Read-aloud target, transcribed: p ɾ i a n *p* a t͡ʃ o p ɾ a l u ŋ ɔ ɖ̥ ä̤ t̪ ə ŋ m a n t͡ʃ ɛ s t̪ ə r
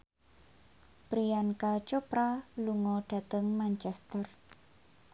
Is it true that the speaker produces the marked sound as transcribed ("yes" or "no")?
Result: no